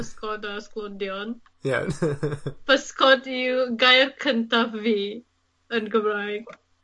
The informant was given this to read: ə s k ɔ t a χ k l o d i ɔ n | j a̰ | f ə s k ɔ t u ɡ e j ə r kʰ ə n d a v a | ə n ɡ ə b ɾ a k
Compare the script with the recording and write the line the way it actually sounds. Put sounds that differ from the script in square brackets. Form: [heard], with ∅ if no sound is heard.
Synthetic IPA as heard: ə s k ɔ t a [s] k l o d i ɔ n | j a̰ | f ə s k ɔ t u ɡ [a] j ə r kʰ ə n [t] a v [i] | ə n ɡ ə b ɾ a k